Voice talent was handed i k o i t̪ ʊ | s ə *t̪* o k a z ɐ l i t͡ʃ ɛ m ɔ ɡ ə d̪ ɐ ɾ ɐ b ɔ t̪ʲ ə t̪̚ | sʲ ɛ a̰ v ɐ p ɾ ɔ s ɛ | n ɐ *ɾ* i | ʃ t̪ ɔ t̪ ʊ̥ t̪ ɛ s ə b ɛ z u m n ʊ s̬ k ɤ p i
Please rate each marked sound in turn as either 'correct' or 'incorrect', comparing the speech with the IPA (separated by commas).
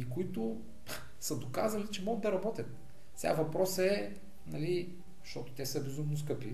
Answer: incorrect, incorrect